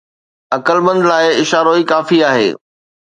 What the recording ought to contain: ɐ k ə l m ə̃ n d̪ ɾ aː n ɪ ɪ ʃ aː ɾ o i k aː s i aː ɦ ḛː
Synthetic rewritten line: ɐ k ə l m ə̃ n d̪ l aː ɪ ɪ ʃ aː ɾ o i k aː f i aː ɦ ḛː